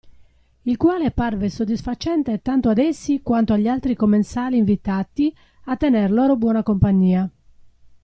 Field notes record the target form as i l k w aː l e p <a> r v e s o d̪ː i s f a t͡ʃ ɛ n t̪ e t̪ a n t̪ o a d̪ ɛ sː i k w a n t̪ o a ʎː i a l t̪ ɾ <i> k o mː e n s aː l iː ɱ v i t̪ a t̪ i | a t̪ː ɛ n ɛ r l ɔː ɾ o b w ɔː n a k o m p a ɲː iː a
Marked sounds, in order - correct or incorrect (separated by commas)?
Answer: correct, correct